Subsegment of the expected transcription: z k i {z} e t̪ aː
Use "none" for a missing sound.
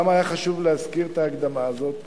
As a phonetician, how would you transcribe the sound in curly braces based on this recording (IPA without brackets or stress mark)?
ʁ